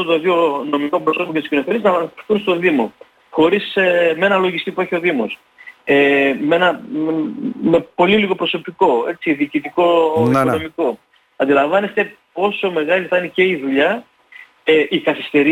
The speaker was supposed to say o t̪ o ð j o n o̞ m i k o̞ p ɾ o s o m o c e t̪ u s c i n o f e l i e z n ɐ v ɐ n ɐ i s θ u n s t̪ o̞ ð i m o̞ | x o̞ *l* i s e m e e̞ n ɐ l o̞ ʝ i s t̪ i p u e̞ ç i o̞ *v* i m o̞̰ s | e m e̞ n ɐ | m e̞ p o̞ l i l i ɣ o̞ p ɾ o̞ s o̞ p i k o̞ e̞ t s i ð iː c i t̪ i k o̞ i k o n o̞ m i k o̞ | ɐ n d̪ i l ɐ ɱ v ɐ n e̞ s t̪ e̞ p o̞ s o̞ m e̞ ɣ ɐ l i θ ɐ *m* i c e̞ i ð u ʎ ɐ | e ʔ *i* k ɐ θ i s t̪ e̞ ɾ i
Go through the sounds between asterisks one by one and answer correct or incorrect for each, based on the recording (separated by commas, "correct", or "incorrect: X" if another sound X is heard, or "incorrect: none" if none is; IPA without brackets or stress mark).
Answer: incorrect: ɾ, incorrect: ð, incorrect: n, correct